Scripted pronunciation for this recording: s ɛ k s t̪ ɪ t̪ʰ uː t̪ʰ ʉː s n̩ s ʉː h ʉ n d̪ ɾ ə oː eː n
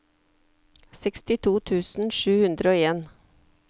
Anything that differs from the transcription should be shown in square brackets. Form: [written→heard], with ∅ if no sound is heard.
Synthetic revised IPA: s ɛ k s t̪ ɪ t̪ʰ uː t̪ʰ ʉː s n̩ [s→ʃ] ʉː h ʉ n d̪ ɾ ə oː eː n